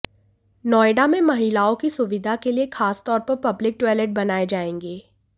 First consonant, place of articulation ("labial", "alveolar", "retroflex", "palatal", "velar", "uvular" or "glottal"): alveolar